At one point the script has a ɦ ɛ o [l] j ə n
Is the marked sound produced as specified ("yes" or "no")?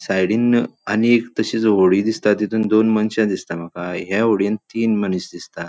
no